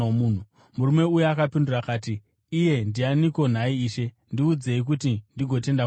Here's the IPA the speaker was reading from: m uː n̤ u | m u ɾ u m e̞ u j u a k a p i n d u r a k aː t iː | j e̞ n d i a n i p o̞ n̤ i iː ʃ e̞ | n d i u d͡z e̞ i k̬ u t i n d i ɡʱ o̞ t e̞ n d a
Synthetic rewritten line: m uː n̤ u | m u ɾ u m e̞ u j u a k a p i n d u r a k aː t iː | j e̞ n d i a n i k o̞ n̤ a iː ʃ e̞ | n d i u d͡z e̞ i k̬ u t i n d i ɡʱ o̞ t e̞ n d a